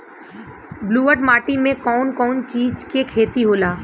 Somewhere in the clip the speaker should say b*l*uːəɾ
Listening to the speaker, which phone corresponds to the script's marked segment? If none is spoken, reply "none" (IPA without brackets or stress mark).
l